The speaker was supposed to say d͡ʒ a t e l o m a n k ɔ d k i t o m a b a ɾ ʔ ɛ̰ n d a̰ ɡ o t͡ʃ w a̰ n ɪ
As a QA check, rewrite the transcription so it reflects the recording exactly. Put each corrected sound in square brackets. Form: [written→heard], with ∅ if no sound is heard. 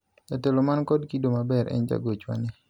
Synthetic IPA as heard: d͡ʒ a t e l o m a n k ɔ d k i [t→d] o m a b [a→ɛ] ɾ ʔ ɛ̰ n [d→d͡ʒ] a̰ ɡ o t͡ʃ w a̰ n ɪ